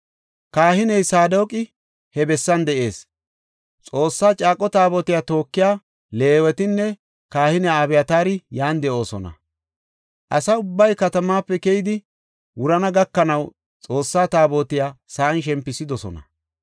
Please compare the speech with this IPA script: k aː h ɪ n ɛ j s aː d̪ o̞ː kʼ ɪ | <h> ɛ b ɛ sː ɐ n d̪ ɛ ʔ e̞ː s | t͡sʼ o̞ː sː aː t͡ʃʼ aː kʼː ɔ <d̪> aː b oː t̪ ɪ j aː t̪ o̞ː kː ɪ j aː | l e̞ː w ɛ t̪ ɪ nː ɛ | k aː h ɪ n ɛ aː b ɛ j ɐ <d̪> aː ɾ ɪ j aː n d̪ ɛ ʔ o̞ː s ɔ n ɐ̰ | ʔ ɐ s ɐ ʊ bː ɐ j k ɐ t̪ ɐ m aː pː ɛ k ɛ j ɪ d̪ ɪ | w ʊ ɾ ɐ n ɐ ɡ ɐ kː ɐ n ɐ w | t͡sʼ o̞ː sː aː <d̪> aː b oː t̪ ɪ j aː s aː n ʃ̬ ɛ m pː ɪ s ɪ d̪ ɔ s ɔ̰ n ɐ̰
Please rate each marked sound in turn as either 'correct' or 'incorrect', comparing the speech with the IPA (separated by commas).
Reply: correct, incorrect, incorrect, incorrect